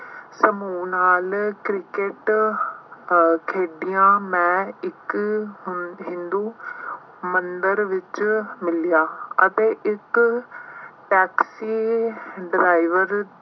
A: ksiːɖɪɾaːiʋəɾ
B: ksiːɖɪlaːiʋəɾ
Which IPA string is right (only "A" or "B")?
A